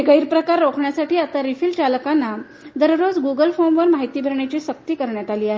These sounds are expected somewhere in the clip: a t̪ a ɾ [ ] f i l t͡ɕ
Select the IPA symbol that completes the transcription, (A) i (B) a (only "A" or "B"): A